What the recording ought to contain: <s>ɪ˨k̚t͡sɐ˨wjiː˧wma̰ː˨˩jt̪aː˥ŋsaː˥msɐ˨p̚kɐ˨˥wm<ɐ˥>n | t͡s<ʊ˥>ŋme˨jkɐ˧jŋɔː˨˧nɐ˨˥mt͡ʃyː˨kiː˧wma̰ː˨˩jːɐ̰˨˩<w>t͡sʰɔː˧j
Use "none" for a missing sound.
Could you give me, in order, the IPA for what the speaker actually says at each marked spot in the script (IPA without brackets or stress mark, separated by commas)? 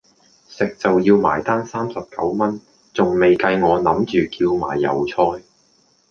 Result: s, ɐ˥, ʊ˨, w